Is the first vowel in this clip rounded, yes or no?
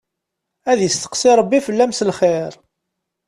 no